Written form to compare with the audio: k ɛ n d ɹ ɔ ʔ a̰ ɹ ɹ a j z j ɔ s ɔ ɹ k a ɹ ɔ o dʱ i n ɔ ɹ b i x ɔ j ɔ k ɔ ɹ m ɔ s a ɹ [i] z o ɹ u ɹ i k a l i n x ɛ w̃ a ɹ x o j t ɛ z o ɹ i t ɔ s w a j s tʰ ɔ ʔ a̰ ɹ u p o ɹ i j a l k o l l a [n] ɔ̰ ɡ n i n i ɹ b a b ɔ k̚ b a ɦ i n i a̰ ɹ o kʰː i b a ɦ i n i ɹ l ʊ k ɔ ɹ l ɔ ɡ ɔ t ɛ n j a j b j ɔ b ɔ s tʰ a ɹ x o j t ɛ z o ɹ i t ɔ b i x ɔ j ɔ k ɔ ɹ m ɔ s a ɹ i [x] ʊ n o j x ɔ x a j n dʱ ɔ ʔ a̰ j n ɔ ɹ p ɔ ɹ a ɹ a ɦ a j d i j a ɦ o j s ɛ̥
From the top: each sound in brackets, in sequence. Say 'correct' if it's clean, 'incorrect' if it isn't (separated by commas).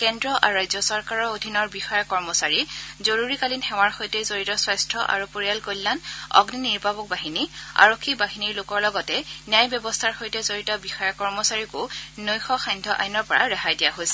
correct, correct, incorrect